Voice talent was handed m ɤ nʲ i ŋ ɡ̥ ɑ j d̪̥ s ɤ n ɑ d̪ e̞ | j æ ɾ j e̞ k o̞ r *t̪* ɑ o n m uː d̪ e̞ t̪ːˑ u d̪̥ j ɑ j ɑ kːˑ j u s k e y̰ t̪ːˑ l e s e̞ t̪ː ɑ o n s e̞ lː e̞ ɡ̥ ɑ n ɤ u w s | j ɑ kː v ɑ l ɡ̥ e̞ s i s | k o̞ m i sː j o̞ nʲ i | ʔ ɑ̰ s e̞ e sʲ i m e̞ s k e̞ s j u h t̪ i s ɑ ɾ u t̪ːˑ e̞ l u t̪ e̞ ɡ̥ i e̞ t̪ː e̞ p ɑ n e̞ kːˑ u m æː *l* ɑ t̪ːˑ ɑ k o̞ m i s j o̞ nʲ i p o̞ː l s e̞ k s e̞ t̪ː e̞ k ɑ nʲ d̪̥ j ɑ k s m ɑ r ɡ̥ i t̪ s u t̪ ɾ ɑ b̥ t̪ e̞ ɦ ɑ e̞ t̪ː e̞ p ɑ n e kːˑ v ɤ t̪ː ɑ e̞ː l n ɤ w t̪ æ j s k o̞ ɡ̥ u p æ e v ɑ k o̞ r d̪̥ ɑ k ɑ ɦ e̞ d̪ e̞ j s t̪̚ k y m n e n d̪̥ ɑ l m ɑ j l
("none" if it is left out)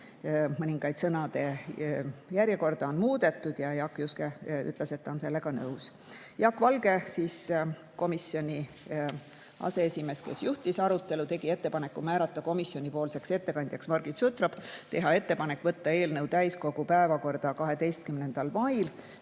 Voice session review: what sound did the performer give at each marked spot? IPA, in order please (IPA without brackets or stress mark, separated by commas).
d̪, ɾ